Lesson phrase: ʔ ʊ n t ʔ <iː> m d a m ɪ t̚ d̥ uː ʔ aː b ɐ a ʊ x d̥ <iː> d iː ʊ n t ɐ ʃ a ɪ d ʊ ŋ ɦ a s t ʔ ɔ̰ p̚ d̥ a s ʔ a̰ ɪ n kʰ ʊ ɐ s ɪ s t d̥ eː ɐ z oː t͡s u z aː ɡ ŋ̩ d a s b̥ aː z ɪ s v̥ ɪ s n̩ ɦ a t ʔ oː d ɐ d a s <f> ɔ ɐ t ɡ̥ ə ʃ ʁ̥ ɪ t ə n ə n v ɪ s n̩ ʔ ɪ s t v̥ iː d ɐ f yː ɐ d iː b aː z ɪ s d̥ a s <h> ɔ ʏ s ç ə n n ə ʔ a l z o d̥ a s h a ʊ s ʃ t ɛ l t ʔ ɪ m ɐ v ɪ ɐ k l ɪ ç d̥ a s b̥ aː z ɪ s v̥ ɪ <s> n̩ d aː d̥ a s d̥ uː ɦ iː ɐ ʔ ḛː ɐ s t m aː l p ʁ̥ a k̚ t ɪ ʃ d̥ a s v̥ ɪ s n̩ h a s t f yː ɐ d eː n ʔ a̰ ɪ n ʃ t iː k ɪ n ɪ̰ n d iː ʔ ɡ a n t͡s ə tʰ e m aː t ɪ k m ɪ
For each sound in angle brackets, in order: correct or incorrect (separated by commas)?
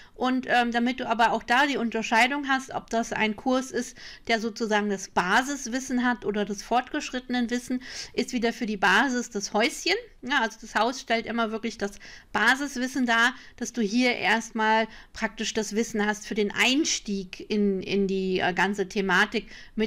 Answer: incorrect, incorrect, correct, correct, correct